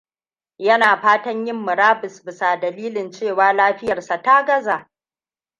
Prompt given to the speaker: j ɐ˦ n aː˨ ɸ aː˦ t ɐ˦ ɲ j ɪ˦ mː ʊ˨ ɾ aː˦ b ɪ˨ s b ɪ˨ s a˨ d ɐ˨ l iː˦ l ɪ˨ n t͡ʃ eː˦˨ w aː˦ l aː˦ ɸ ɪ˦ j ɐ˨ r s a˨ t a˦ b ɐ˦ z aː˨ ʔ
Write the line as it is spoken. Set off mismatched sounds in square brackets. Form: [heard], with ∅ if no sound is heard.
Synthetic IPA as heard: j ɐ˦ n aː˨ ɸ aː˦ t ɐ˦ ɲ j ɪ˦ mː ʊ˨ ɾ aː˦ b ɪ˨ s b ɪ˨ s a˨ d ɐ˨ l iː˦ l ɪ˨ n t͡ʃ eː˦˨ w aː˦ l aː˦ ɸ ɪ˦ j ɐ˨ r s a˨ t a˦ [ɡ] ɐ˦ z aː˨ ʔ